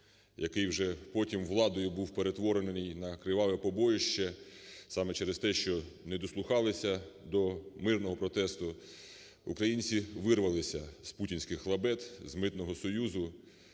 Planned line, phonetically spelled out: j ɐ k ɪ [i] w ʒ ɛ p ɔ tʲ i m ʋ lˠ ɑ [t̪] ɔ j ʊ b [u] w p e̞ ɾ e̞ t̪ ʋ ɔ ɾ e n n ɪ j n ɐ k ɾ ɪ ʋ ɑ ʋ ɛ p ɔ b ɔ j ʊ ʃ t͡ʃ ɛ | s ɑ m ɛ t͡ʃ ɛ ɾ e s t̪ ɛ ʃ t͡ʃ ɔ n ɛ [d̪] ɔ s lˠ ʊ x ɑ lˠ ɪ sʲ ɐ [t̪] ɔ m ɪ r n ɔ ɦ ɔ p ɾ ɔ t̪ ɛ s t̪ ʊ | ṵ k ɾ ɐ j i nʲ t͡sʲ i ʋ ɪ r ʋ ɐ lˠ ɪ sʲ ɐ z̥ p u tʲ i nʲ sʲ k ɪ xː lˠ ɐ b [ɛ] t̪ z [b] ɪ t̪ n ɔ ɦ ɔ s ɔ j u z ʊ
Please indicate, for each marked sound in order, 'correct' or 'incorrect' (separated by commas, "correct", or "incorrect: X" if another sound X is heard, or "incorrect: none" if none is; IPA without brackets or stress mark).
incorrect: j, incorrect: d̪, correct, correct, incorrect: d̪, correct, incorrect: m